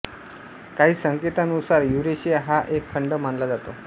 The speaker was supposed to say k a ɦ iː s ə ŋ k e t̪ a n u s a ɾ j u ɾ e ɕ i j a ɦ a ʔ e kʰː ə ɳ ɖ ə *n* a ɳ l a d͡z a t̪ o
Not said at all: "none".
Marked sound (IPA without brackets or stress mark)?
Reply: m